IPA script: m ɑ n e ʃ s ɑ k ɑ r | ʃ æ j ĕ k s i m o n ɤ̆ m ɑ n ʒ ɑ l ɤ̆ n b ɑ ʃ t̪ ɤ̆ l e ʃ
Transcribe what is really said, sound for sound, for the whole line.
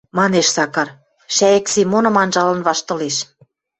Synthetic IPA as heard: m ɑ n e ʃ s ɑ k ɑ r | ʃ æ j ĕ k s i m o n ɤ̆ m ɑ n ʒ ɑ l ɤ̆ n β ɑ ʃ t̪ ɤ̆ l e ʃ

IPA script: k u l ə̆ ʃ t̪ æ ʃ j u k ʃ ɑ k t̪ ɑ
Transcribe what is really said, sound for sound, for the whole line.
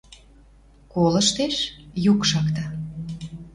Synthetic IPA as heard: k o l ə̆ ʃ t̪ e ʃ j u k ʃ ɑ k t̪ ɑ

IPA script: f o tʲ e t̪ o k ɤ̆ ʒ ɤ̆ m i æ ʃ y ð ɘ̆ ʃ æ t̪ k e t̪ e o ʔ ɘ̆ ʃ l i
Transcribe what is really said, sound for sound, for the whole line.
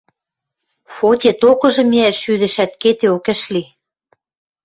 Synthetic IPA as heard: f o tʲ e t̪ o k ɤ̆ ʒ ɤ̆ m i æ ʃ y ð ɘ̆ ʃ æ t̪ k e t̪ e o k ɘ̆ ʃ l i

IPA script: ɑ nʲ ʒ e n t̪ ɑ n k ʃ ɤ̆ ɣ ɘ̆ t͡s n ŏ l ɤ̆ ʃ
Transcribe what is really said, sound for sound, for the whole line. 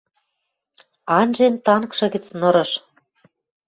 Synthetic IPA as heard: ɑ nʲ ʒ e n t̪ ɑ n k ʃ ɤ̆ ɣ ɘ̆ t͡s n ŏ ɾ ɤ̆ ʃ

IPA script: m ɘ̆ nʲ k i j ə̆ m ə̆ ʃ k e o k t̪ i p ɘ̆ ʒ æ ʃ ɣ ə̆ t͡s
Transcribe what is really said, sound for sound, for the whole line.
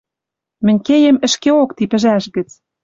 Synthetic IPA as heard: m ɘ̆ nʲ k e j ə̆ m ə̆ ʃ k e o k t̪ i p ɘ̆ ʒ æ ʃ ɣ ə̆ t͡s

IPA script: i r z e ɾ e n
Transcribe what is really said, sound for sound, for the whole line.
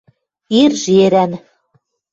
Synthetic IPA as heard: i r ʒ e ɾ æ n

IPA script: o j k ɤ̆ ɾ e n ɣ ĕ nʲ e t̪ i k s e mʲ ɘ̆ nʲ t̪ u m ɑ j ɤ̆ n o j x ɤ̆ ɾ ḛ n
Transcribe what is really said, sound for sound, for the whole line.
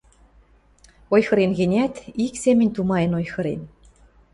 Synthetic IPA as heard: o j x ɤ̆ ɾ e n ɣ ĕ nʲ æ t̪ i k s e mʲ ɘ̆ nʲ t̪ u m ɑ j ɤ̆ n o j x ɤ̆ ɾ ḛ n

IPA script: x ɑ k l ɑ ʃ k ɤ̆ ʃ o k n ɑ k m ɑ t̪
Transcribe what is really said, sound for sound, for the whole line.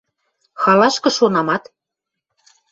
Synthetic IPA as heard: x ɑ l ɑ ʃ k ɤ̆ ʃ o n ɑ m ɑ t̪

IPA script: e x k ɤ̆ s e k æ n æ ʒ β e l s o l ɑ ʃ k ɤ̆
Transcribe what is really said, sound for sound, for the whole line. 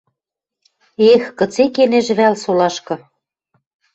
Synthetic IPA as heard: e x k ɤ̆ t͡s e k e n e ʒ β æ l s o l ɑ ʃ k ɤ̆

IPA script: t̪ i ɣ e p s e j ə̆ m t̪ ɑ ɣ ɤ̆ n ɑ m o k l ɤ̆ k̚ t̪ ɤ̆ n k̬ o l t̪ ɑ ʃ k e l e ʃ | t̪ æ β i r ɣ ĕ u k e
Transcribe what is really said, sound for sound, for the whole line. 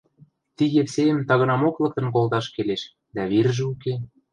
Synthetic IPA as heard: t̪ i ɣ e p s e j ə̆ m t̪ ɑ ɣ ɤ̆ n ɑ m o k l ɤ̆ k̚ t̪ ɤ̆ n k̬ o l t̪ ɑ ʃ k e l e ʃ | d̪ æ β i r ʒ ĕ u k e

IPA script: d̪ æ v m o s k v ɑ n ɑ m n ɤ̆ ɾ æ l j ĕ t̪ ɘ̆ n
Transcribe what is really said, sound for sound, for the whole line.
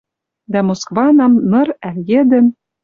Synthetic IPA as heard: d̪ æ m o s k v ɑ n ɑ m n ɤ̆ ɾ æ l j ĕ d̪ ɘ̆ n

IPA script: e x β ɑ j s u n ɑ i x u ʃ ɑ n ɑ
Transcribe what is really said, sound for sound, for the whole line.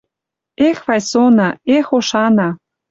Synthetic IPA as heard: e x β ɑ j s o n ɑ e x o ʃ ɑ n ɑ

